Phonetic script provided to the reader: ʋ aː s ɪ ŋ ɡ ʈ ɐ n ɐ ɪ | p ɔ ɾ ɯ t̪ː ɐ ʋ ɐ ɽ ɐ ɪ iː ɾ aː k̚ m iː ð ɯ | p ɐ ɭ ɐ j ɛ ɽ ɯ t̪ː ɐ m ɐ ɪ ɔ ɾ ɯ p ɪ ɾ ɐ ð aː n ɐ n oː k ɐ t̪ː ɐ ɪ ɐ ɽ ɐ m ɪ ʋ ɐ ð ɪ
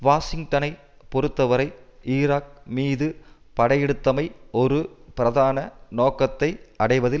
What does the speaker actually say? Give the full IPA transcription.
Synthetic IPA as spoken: ʋ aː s ɪ ŋ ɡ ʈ ɐ n ɐ ɪ | p ɔ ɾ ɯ t̪ː ɐ ʋ ɐ ɾ ɐ ɪ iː ɾ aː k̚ m iː ð ɯ | p ɐ ɽ ɐ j ɛ ɽ ɯ t̪ː ɐ m ɐ ɪ ɔ ɾ ɯ p ɪ ɾ ɐ ð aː n ɐ n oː k ɐ t̪ː ɐ ɪ ɐ ɽ ɐ ɪ ʋ ɐ ð ɪ